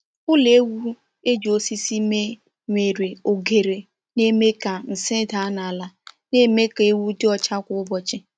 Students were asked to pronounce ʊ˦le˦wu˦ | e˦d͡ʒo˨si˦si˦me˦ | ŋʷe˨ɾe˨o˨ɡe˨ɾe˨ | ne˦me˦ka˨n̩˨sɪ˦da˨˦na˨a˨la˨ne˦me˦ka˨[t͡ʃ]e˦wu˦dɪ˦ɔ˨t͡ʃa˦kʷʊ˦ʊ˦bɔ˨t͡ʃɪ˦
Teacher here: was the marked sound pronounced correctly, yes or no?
no